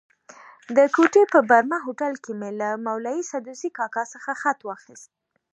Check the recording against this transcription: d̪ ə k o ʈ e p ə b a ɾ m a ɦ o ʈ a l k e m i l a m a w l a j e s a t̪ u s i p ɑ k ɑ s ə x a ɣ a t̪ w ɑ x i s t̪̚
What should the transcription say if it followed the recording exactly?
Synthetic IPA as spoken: d̪ ə k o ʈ e p ə b a ɾ m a ɦ o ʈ a l k e m e l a m a w l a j i s a d̪ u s i k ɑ k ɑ s ə x a x a t̪ w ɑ x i s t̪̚